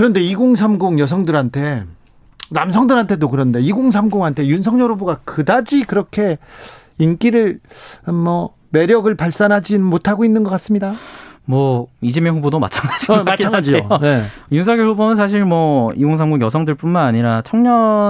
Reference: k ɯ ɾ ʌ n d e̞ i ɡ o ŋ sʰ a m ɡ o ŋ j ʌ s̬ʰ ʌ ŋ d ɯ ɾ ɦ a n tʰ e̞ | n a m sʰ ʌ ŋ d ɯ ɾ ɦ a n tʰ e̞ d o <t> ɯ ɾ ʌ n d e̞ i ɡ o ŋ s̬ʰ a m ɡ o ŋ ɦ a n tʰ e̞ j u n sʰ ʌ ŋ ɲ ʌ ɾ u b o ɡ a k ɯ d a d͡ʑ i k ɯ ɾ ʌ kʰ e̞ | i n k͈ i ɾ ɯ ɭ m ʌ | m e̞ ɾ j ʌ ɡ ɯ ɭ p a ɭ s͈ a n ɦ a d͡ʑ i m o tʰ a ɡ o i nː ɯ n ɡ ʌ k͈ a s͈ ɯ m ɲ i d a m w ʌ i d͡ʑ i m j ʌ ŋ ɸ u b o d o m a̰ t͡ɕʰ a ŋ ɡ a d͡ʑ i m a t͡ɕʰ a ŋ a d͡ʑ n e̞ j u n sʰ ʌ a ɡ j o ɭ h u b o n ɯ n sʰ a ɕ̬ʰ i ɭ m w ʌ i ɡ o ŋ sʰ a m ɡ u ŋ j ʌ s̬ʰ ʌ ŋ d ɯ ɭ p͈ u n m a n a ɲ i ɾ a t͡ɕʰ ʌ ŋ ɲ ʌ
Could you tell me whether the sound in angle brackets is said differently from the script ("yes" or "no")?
yes